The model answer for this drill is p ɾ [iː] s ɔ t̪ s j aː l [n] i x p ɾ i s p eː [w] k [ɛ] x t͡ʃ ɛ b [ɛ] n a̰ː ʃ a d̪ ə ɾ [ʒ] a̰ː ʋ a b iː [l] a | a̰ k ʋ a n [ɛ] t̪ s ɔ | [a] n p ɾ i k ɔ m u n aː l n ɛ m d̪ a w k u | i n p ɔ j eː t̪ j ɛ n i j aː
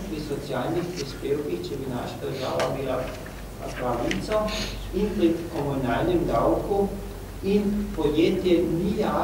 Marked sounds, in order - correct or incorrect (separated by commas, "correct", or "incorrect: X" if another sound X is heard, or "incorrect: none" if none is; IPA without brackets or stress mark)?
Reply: incorrect: i, correct, correct, incorrect: i, incorrect: i, correct, correct, incorrect: i, incorrect: i